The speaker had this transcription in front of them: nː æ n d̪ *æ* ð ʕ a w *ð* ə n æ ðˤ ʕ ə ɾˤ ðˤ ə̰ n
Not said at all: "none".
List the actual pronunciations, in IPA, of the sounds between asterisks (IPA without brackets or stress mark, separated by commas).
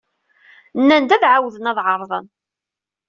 æ, ð